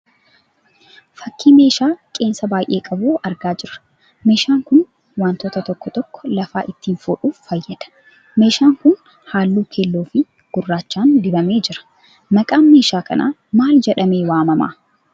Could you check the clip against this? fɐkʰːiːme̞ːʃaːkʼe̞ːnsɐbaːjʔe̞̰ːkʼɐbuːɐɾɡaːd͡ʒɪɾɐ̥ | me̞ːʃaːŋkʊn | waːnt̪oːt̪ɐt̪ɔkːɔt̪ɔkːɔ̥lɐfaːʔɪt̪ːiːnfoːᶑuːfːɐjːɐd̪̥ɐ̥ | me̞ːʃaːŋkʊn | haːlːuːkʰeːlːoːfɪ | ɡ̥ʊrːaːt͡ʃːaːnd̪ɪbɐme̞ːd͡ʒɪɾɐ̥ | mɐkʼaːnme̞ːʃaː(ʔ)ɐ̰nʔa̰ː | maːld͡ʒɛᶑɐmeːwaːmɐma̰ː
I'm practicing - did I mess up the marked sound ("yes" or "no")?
yes